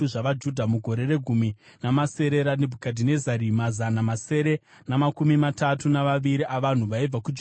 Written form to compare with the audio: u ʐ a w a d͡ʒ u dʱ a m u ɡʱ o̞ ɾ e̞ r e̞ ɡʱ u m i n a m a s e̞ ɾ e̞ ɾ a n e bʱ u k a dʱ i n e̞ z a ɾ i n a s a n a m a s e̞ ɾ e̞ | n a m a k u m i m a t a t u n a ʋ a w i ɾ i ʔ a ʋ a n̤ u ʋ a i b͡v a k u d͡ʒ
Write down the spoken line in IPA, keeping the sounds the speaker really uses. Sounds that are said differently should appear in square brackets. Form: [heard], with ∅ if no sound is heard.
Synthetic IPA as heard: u ʐ a [ʋ] a d͡ʒ u dʱ a m u ɡʱ o̞ ɾ e̞ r e̞ ɡʱ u m i n a m a s e̞ ɾ e̞ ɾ a n e bʱ u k a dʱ i n e̞ z a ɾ i [m] a [z] a n a m a s e̞ ɾ e̞ | n a m a k u m i m a t a t u n a ʋ a [ʋ] i ɾ i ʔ a ʋ a n̤ u ʋ a i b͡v a k u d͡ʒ